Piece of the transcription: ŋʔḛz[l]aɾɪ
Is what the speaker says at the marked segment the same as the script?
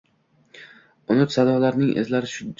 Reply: yes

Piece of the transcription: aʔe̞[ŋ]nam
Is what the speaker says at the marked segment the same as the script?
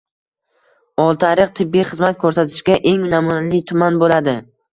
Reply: yes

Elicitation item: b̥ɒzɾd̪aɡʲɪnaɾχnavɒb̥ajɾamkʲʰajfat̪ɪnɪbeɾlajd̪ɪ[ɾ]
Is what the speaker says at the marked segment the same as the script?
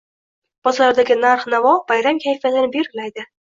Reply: no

